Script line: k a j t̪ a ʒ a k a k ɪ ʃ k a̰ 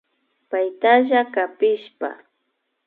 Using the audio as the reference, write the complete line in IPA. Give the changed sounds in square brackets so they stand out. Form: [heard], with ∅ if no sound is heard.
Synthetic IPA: [p] a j t̪ a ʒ a k a [p] ɪ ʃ [p] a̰